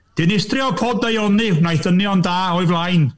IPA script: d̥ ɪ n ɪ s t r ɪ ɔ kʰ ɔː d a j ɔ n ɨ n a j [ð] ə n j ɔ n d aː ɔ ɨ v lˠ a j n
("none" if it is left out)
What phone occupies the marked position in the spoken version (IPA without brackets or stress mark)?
θ